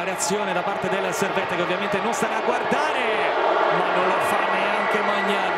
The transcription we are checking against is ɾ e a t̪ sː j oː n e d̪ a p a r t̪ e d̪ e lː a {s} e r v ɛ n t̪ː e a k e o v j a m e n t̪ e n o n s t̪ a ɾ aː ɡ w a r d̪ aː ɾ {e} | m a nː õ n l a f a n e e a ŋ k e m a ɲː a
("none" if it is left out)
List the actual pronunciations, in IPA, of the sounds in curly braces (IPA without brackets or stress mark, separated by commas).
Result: s, e